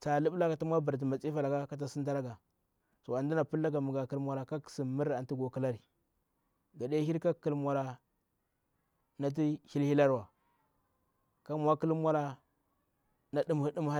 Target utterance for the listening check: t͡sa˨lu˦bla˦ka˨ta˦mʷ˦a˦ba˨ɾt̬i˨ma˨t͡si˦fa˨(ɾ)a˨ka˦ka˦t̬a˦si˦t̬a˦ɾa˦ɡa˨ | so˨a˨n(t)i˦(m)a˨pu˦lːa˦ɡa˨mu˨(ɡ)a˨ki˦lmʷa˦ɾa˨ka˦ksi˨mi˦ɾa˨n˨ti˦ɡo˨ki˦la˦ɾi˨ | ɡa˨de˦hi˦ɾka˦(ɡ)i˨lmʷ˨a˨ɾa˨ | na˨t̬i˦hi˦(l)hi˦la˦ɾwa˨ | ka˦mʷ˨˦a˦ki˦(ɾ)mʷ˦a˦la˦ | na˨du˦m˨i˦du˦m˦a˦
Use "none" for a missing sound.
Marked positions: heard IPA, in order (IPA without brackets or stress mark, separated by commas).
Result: l, d, n, ɡ, k, l, l